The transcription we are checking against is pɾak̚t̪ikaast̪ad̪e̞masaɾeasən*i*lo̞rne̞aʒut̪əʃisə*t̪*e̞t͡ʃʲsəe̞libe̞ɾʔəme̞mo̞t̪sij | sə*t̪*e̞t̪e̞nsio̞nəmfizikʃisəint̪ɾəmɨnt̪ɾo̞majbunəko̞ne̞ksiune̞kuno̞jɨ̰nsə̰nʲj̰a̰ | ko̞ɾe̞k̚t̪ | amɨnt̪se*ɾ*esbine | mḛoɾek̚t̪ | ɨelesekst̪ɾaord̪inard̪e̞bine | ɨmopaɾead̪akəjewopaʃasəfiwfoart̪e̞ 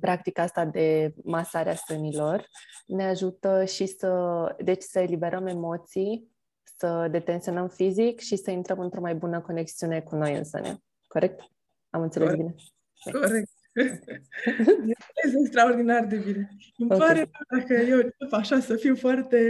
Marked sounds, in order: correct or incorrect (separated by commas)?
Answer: correct, incorrect, incorrect, incorrect